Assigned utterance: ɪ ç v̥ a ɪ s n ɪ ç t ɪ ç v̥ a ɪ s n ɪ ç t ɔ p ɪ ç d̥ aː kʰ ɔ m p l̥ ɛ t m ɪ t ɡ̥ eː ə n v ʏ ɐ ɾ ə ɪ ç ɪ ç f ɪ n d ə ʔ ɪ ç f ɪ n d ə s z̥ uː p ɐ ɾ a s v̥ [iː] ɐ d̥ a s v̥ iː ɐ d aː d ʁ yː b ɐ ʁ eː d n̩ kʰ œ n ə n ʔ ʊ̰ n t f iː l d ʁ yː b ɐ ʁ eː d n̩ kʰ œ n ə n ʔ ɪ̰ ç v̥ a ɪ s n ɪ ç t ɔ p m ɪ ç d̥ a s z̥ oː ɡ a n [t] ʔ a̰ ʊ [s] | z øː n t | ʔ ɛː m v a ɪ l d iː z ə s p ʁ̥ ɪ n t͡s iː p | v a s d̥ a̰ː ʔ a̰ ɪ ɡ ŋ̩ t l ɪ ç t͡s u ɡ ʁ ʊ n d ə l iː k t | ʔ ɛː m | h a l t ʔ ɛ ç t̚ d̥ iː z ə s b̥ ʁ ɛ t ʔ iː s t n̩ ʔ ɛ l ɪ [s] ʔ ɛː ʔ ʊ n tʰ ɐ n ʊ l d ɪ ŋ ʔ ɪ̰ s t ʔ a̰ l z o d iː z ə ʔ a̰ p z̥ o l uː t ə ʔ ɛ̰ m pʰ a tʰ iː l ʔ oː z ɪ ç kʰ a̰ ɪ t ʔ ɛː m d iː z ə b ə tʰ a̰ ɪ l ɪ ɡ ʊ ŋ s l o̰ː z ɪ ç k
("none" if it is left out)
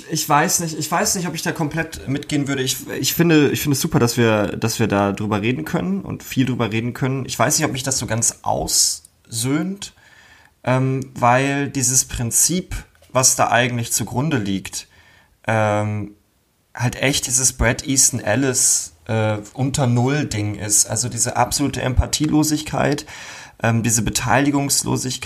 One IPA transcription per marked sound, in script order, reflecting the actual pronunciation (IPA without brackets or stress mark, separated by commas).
iː, t͡s, s, s